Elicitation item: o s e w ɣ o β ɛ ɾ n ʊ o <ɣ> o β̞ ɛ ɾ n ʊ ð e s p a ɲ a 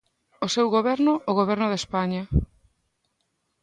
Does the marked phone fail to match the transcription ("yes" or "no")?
no